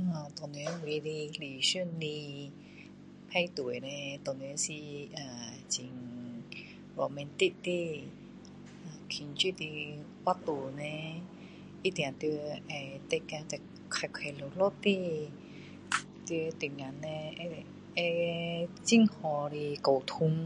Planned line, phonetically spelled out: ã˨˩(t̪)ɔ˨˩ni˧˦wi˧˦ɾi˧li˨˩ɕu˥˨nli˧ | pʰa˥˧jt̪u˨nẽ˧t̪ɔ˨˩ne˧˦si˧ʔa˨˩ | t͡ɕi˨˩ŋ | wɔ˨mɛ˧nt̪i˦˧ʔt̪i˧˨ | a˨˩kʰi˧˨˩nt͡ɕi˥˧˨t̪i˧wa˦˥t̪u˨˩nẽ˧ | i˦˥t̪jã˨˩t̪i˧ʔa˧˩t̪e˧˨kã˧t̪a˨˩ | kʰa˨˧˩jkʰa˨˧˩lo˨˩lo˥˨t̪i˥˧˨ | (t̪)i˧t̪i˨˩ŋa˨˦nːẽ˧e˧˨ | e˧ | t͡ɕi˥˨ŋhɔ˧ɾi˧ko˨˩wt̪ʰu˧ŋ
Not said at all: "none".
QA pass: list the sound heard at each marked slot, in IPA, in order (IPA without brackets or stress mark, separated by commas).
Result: t̪, t̪